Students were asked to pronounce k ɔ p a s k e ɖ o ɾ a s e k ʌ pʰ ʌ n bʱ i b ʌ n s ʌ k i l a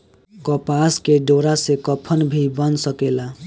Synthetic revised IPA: k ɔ p a s k e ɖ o ɾ a s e k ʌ pʰ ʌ n bʱ i b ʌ n s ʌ k e l a